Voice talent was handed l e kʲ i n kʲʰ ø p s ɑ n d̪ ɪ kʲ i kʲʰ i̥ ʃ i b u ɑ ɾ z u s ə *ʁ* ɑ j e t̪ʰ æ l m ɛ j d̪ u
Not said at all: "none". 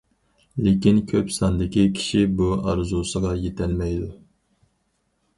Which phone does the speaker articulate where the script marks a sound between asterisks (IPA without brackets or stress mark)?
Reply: ʁ